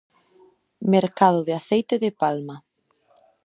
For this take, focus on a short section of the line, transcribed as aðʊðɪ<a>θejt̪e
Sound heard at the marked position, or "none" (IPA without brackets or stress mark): a